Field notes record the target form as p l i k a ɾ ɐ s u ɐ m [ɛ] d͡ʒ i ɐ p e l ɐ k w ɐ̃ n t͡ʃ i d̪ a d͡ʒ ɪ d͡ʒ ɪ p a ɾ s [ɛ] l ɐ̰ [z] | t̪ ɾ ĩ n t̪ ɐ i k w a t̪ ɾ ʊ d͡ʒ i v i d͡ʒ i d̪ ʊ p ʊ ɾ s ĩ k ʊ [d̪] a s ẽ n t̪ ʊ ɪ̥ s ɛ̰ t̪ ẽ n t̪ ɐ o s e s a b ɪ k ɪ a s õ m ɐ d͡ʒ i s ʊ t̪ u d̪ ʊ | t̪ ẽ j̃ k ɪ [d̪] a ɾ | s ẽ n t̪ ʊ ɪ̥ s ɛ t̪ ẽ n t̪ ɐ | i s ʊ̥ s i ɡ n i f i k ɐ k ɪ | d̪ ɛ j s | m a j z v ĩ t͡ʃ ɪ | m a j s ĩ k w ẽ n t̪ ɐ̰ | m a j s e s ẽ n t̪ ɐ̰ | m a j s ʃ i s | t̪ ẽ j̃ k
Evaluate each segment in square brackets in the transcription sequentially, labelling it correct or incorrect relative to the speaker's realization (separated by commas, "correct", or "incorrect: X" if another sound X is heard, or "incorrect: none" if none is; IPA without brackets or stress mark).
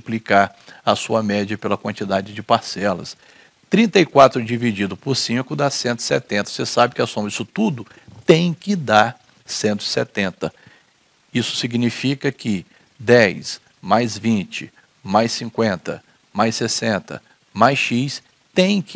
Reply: correct, correct, incorrect: s, correct, correct